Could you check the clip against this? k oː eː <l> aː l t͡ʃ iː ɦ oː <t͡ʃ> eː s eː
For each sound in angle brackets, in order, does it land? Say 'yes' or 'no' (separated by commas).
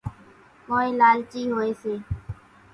yes, no